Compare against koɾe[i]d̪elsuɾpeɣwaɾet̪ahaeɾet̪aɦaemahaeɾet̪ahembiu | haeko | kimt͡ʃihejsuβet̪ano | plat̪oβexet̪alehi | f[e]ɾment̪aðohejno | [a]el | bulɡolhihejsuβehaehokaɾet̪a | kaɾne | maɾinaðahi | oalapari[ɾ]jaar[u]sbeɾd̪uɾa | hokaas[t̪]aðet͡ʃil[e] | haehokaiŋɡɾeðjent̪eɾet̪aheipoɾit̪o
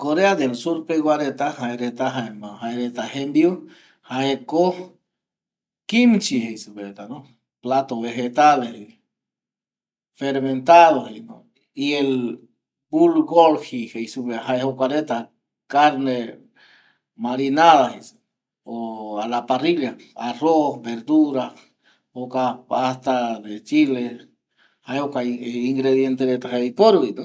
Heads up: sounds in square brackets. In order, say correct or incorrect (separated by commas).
incorrect, correct, incorrect, incorrect, incorrect, correct, correct